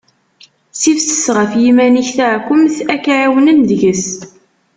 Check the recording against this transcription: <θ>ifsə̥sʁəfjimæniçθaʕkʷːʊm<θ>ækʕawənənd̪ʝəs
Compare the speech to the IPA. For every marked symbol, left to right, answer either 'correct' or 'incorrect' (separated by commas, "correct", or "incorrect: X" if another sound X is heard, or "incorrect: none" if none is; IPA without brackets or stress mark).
incorrect: s, correct